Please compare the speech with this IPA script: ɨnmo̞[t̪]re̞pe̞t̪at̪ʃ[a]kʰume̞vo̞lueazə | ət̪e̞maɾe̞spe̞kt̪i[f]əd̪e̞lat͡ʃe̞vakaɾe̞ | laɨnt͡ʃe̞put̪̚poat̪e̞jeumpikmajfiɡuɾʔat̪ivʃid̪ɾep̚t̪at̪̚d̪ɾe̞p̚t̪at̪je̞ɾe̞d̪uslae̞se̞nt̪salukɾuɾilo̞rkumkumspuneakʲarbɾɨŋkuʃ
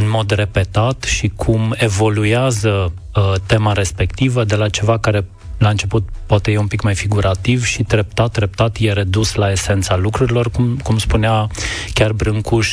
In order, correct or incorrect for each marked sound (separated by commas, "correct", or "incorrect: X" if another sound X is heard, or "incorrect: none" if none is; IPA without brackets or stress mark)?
incorrect: d̪, incorrect: i, incorrect: v